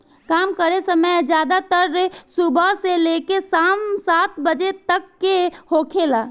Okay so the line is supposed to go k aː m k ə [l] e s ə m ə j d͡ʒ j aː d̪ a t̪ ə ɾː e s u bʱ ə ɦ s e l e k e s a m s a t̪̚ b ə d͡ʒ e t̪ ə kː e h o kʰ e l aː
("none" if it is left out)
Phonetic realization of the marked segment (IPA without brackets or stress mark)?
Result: ɾ